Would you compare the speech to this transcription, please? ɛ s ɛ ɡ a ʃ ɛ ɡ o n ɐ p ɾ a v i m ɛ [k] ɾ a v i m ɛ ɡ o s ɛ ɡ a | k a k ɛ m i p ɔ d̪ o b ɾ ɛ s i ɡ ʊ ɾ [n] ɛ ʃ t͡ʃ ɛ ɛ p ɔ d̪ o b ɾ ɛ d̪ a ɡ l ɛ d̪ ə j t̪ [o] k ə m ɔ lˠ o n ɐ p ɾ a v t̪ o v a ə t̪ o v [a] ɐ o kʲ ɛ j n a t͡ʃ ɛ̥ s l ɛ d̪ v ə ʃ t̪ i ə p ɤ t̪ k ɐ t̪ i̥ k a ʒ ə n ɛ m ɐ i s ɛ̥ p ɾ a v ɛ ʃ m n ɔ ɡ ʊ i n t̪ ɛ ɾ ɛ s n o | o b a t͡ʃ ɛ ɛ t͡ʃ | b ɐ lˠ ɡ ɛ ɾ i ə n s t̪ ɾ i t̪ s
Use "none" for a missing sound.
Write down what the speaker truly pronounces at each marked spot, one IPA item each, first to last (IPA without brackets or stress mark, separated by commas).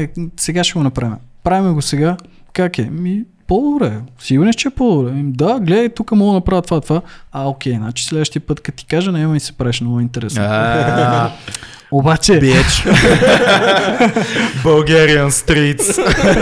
p, n, u, a